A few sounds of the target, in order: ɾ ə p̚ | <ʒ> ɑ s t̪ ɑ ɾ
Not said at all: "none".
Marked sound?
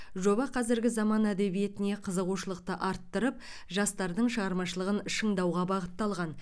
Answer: ʒ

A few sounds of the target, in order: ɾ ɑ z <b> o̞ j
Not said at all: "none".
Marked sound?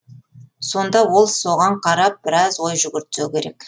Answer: w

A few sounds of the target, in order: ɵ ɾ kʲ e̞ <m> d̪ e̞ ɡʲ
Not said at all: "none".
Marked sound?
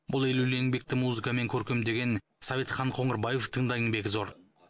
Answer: m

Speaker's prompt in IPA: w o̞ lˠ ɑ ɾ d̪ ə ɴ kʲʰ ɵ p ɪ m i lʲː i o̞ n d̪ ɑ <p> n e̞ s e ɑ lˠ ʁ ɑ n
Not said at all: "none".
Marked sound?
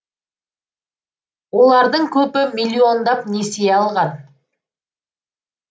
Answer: p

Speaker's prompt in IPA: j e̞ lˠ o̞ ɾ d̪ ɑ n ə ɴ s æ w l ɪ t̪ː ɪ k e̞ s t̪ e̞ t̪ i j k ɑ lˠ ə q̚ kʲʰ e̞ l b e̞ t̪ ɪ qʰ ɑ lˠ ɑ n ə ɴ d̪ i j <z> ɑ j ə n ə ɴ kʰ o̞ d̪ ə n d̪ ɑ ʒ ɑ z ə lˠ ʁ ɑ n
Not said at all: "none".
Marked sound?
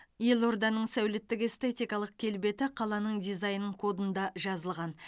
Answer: z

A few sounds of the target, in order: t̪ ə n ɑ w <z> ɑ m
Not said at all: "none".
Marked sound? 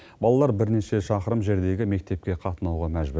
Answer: ʁ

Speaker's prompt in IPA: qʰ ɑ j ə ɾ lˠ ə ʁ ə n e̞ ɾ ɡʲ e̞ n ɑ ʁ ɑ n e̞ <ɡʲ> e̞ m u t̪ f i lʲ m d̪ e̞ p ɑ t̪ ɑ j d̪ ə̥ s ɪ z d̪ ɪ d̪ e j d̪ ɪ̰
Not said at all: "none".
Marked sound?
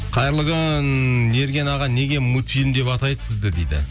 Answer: ɡʲ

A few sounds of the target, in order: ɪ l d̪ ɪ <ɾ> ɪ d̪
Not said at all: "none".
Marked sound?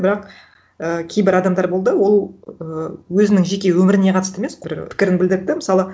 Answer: ɾ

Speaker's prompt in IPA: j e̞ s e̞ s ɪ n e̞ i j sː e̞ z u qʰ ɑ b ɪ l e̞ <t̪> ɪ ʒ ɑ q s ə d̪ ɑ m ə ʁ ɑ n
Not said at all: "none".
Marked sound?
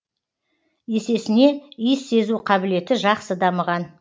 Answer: t̪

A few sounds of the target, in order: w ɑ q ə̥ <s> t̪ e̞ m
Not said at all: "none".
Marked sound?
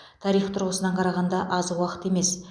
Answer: none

